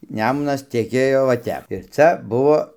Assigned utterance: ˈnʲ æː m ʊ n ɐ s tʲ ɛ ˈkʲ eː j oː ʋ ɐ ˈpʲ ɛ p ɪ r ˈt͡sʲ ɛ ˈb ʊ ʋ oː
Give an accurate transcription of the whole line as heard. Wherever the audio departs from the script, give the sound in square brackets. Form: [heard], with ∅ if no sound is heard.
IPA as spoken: ˈnʲ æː m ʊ n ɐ s tʲ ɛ ˈkʲ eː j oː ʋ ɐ [ˈtʲ] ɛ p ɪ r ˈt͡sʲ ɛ ˈb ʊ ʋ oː